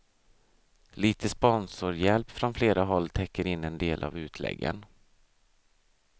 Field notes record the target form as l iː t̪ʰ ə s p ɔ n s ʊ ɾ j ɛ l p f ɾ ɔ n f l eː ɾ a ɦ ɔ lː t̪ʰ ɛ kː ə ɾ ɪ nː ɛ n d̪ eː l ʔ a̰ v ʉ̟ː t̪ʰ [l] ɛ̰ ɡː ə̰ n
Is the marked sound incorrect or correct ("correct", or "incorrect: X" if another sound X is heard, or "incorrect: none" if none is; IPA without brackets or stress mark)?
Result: correct